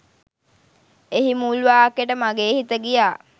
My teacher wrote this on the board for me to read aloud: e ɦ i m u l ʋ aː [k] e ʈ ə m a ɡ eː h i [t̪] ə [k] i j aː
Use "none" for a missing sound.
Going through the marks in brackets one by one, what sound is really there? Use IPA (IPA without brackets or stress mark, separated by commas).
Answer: k, t̪, ɡ